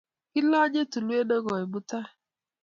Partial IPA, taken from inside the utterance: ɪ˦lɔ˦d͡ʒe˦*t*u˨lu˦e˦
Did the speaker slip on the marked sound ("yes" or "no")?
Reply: no